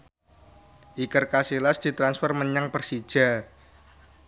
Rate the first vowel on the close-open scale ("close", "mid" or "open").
close